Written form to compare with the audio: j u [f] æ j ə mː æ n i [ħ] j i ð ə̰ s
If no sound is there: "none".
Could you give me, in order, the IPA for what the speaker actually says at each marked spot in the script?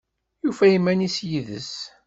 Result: f, s

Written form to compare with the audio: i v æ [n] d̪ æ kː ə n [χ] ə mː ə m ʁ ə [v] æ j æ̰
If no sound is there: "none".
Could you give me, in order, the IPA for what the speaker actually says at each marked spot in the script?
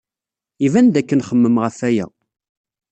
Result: n, χ, f

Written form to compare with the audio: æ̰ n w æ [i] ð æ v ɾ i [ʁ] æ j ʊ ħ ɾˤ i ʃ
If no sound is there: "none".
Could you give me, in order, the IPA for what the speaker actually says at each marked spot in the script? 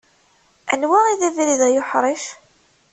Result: i, ð

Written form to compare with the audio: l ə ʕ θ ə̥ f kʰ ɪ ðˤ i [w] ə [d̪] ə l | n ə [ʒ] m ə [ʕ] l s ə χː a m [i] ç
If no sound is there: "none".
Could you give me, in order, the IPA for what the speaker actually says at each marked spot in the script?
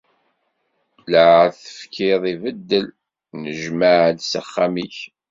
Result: v, d̪ː, ʒ, ʕ, i

